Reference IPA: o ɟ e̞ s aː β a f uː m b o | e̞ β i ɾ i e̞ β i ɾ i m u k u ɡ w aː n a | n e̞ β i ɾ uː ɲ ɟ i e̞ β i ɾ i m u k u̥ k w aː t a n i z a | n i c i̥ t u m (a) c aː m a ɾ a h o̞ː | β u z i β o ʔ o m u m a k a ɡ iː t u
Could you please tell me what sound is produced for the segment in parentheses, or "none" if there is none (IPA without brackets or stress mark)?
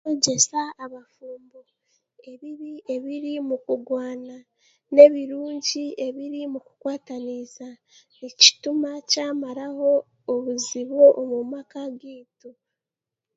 a